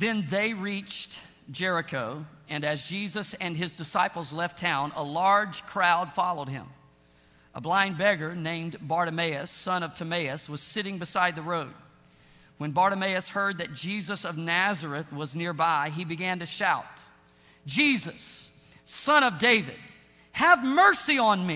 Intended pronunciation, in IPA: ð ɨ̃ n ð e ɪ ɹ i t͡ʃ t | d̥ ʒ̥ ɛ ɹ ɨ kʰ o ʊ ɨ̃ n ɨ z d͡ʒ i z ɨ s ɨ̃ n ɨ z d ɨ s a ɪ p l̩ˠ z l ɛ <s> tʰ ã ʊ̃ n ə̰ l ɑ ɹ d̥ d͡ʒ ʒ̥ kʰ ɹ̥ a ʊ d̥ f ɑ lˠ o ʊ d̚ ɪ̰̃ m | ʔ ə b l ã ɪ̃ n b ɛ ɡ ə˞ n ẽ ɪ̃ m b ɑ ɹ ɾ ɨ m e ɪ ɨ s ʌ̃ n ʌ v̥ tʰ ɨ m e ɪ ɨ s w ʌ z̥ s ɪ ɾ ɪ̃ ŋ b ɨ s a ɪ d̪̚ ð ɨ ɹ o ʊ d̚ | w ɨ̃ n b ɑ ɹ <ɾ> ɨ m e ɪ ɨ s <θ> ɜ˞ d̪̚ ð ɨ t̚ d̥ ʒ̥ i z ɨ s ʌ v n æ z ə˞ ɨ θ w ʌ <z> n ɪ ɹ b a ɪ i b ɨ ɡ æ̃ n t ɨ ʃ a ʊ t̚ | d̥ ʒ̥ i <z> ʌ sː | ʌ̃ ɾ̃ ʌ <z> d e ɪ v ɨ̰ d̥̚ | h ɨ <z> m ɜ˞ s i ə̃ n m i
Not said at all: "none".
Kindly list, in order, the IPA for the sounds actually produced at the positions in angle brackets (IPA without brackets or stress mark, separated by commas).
f, ɾ, h, z, z, v, v